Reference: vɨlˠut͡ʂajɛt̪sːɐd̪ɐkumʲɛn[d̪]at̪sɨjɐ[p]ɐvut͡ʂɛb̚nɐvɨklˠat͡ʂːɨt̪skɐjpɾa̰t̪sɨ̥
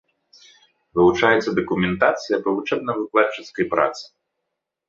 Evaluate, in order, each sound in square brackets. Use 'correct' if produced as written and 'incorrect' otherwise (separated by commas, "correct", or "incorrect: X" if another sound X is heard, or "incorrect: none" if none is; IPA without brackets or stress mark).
incorrect: t̪, correct